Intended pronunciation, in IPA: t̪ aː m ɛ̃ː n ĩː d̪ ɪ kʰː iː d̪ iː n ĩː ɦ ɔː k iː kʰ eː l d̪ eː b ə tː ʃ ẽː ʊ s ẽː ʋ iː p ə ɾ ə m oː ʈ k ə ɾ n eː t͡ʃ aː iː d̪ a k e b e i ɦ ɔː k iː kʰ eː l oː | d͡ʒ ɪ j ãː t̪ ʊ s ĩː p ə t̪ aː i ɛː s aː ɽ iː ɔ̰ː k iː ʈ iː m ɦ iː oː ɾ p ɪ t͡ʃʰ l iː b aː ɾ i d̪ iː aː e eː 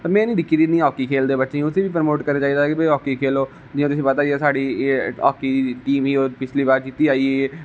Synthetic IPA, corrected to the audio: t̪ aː m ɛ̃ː n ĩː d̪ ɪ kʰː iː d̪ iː n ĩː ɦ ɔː k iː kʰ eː l d̪ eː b ə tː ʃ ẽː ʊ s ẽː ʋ iː p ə ɾ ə m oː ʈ k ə ɾ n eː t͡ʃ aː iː d̪ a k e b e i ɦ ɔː k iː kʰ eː l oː | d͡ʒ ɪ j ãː t̪ ʊ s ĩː p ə t̪ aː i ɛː s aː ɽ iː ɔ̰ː k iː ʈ iː m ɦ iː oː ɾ p ɪ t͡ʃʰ l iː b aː ɾ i t̪ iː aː i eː